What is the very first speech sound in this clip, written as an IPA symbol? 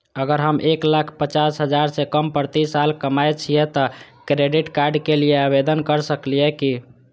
ə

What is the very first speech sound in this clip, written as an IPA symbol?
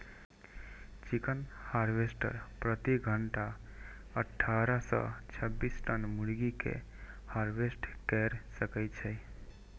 t͡ʃ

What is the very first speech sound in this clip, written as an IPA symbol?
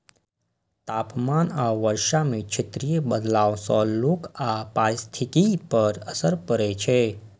t̪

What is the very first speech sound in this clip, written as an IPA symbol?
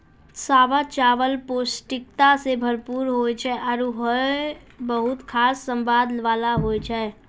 s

